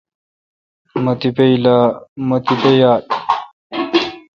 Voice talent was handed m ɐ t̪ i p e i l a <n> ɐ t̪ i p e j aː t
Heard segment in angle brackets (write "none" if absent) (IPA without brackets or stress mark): m